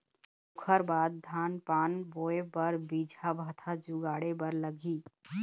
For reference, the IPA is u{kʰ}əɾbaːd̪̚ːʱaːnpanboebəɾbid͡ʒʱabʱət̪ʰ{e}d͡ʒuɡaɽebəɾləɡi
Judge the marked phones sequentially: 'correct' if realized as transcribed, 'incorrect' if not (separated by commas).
correct, incorrect